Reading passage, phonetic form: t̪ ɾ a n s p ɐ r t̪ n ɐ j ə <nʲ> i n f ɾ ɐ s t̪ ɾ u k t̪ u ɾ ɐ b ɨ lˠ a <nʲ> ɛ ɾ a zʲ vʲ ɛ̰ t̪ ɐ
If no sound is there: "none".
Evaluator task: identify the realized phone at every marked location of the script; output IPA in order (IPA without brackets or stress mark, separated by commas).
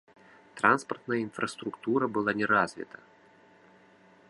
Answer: none, nʲ